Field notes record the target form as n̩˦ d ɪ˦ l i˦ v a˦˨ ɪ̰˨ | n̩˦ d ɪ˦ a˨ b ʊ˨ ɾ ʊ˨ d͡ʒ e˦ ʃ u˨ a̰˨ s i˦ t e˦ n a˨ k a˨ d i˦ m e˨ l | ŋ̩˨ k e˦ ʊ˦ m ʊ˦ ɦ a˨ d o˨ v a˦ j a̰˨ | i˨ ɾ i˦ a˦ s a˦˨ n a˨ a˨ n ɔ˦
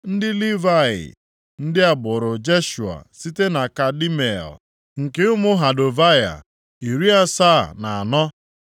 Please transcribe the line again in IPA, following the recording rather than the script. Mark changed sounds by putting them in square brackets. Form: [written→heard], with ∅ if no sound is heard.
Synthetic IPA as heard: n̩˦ d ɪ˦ l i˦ v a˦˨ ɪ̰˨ | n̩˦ d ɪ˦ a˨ b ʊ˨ ɾ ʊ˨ d͡ʒ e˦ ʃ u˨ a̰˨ s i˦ t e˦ n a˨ k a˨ d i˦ m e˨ l | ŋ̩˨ k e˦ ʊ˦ m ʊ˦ ɦ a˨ d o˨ v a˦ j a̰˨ | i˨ ɾ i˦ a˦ s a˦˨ n a˨ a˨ n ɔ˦